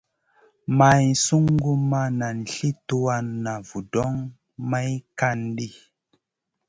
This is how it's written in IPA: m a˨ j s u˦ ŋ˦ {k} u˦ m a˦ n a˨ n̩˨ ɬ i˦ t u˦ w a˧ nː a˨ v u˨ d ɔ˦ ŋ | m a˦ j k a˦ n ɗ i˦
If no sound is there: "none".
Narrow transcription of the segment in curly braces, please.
ɡ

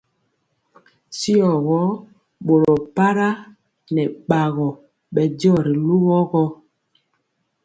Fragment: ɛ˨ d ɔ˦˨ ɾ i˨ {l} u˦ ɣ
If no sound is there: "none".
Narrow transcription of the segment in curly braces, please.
l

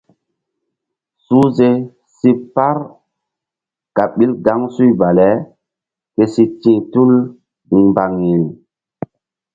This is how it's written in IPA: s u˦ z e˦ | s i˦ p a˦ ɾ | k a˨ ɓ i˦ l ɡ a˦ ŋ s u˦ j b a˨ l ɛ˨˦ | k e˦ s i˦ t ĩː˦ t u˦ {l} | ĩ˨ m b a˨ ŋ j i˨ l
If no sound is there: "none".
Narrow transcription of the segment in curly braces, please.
l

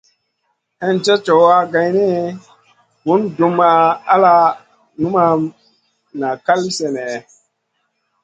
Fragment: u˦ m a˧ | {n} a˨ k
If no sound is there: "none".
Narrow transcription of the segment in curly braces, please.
n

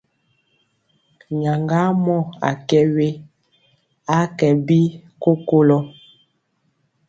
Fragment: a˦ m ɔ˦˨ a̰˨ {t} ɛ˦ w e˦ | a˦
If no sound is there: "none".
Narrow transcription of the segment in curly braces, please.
k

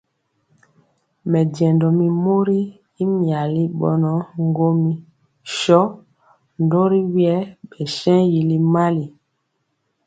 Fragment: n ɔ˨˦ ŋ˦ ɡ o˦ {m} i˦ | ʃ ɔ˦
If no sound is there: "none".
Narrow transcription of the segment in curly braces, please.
m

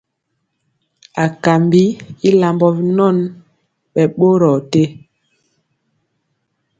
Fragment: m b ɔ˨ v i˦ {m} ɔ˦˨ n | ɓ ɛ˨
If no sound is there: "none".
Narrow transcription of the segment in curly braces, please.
n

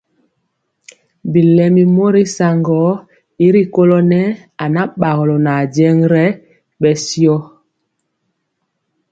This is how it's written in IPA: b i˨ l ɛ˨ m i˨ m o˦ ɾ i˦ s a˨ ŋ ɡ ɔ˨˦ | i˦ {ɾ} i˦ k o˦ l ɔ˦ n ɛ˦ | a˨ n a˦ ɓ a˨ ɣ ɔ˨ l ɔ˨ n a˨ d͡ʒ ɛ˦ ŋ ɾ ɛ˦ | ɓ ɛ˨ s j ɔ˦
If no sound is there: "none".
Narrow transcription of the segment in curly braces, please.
ɾ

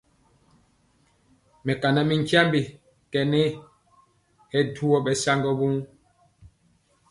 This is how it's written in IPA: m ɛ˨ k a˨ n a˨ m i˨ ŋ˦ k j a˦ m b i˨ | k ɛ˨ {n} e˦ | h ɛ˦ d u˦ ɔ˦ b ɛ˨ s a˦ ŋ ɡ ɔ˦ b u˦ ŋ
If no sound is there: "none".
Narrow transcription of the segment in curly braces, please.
n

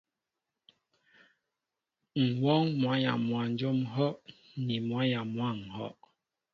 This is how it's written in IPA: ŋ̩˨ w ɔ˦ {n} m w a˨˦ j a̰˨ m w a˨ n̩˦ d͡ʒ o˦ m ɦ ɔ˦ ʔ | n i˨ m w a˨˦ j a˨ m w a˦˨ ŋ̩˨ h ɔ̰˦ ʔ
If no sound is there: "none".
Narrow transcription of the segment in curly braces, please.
ŋ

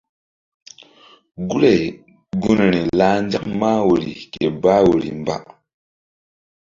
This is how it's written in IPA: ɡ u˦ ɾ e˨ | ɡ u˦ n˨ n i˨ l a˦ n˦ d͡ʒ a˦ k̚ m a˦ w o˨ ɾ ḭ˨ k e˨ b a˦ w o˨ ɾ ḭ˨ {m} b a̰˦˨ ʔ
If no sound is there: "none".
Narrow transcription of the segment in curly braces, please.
m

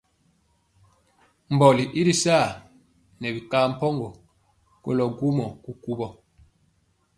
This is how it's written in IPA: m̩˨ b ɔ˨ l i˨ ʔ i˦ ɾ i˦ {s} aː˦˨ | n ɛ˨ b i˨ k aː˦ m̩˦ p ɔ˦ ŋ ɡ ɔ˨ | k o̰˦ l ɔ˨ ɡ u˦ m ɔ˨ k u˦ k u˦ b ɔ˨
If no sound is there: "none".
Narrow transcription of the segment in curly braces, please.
s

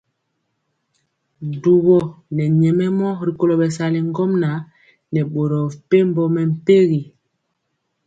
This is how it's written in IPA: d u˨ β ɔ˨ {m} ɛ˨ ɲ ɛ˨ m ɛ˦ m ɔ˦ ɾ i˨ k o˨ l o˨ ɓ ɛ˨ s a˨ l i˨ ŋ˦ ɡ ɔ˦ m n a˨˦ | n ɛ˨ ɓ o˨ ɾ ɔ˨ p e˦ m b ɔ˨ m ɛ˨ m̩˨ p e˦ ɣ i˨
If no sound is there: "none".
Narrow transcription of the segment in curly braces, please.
n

